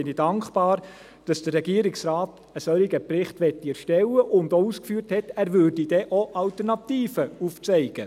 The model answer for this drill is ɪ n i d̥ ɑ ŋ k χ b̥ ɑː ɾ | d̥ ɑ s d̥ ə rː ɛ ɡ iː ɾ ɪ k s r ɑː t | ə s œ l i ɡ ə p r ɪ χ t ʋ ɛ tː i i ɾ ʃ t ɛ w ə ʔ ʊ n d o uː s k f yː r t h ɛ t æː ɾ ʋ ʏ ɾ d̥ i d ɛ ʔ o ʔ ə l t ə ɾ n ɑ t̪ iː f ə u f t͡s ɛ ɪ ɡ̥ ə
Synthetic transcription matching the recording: ɪ n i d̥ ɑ ŋ k χ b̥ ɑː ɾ | d̥ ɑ s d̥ ə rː ɛ ɡ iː ɾ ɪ k s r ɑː t | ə s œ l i ɡ ə p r ɪ χ t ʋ ɛ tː i ɛ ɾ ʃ t ɛ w ə ʔ ʊ n d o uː s k f yː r t h ɛ t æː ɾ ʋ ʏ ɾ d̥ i d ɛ ʔ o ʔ ɑ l t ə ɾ n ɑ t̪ iː f ə u f t͡s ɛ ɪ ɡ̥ ə